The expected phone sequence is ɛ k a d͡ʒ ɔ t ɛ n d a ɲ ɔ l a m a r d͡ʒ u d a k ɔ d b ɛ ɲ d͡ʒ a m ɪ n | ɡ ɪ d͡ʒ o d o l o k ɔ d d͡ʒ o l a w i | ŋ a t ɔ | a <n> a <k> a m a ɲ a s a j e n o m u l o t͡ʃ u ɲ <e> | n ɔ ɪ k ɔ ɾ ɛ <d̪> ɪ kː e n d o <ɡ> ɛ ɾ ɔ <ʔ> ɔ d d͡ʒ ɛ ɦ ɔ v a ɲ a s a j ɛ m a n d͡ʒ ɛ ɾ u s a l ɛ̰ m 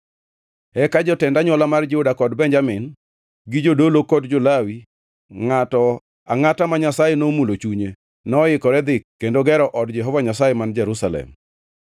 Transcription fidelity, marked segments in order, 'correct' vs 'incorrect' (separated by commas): incorrect, incorrect, correct, correct, correct, correct